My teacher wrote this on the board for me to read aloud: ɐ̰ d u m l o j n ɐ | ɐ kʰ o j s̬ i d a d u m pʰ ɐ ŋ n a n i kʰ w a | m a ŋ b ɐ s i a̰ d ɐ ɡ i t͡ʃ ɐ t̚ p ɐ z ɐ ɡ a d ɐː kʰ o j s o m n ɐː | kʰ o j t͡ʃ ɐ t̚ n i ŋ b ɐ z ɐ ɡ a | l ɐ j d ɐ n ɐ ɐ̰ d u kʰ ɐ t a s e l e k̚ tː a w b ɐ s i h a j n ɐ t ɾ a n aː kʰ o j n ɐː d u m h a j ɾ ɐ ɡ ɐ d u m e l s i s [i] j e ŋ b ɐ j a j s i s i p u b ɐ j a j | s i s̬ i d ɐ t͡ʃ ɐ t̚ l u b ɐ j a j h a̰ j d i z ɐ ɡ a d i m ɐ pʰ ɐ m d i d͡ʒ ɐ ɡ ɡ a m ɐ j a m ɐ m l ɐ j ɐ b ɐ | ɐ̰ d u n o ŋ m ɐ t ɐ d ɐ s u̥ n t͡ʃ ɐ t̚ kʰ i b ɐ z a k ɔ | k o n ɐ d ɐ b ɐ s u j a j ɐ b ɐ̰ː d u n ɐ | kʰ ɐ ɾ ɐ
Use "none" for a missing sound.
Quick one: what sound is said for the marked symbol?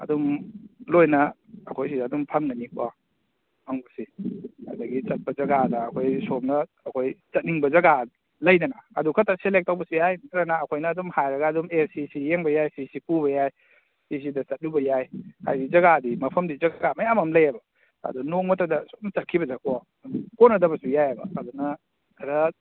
i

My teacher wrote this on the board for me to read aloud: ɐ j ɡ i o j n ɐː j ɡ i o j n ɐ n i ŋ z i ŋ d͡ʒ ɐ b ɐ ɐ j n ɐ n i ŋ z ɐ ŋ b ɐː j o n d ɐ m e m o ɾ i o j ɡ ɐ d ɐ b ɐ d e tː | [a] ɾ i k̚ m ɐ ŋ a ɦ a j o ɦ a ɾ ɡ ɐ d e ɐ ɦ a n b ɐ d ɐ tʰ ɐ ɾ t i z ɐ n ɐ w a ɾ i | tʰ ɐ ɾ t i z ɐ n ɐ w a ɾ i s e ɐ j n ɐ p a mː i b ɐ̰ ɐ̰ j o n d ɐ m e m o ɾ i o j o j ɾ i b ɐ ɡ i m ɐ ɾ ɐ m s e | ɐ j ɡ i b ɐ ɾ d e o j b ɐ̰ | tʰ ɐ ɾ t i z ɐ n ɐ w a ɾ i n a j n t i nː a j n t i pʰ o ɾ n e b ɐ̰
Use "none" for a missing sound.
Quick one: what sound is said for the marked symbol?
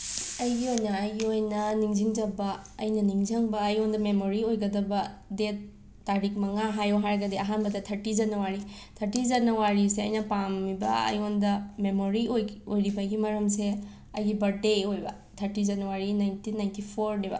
a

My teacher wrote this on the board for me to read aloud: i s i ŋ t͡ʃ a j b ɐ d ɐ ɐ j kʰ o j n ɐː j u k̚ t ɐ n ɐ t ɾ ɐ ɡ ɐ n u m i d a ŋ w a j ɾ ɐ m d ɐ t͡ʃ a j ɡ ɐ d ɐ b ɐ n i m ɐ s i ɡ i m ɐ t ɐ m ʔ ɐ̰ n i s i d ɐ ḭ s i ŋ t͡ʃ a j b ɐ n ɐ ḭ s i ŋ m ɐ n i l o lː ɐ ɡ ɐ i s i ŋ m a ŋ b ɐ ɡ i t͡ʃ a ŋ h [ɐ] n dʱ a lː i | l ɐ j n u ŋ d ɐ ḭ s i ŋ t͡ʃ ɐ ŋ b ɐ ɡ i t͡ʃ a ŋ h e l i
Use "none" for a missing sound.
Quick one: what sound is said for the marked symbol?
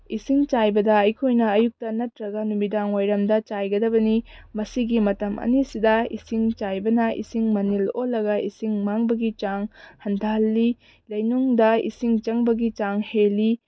ɐ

